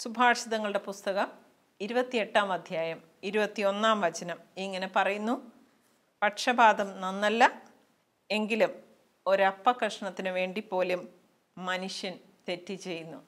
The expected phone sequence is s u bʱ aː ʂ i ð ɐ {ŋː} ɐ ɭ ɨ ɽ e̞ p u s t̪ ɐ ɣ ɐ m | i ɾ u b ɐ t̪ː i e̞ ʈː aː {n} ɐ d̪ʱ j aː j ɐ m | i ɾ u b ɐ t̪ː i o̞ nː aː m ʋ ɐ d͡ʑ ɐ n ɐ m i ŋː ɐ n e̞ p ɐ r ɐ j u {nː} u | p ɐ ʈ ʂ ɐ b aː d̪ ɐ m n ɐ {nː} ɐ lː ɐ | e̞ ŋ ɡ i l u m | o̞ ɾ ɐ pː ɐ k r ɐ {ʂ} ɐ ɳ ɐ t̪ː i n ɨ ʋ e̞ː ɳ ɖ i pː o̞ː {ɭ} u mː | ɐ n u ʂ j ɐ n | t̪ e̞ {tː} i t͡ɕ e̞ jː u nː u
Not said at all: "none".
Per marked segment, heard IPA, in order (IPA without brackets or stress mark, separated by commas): ŋː, m, nː, nː, ʂ, l, tː